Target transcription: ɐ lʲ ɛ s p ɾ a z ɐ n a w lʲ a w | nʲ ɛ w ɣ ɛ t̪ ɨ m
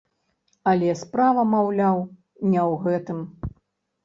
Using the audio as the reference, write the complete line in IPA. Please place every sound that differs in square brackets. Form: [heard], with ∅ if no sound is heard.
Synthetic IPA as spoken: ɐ lʲ ɛ s p ɾ a [v] ɐ [m] a w lʲ a w | nʲ ɛ w ɣ ɛ t̪ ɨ m